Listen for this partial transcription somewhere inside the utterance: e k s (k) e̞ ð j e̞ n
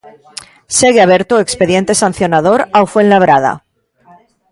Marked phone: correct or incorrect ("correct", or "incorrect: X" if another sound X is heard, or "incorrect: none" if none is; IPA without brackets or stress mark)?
incorrect: p